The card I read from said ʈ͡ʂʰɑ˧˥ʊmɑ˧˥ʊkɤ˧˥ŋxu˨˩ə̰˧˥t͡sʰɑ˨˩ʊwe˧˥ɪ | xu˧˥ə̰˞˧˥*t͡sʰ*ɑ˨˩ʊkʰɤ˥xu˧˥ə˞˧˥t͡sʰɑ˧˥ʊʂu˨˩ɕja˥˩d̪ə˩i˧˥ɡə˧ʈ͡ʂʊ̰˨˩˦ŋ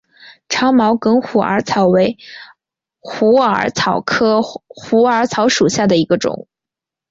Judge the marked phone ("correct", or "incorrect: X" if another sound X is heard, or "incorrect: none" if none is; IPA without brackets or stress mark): correct